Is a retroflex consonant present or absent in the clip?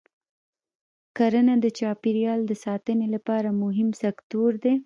absent